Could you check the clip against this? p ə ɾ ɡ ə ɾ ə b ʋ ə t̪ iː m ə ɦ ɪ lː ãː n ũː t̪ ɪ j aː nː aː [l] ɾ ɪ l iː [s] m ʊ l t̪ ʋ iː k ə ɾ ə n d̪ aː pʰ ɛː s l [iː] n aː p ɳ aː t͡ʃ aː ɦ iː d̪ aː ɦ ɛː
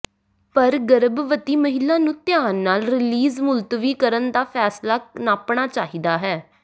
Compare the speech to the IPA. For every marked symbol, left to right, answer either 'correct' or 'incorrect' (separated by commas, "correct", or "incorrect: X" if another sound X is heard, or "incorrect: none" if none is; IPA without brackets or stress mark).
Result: correct, incorrect: z, incorrect: aː